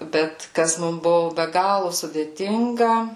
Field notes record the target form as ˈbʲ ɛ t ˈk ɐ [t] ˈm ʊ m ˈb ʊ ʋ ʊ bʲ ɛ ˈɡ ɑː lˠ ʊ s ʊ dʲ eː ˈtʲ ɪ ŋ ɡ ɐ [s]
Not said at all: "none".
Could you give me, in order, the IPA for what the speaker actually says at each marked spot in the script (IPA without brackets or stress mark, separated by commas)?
s, none